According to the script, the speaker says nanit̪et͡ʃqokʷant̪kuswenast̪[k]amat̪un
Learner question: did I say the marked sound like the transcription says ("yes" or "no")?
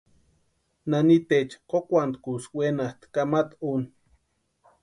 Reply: yes